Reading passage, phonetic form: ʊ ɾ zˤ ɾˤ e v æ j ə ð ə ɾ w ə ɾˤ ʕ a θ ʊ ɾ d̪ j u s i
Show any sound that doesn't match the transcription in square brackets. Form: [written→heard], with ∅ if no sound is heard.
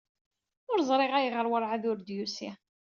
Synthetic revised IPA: ʊ ɾ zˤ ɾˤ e [v→ʁ] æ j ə [ð→ʁ] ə ɾ w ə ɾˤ ʕ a [θ→ð] ʊ ɾ d̪ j u s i